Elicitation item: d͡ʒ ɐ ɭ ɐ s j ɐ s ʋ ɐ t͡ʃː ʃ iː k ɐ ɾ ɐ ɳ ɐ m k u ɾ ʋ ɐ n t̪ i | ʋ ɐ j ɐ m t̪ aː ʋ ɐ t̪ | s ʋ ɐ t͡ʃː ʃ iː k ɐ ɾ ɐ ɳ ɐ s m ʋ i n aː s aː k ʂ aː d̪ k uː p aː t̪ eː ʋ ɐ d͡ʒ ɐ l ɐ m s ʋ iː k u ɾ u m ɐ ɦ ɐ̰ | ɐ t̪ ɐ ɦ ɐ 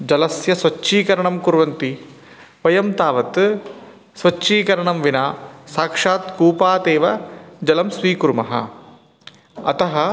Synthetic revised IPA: d͡ʒ ɐ l ɐ s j ɐ s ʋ ɐ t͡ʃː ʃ iː k ɐ ɾ ɐ ɳ ɐ m k u ɾ ʋ ɐ n t̪ i | ʋ ɐ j ɐ m t̪ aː ʋ ɐ t̪ | s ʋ ɐ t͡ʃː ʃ iː k ɐ ɾ ɐ ɳ ɐ m ʋ i n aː s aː k ʂ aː t̪ k uː p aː t̪ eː ʋ ɐ d͡ʒ ɐ l ɐ m s ʋ iː k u ɾ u m ɐ ɦ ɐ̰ | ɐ t̪ ɐ ɦ ɐ